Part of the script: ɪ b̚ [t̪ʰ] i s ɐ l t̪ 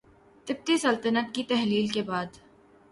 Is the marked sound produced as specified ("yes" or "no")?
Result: no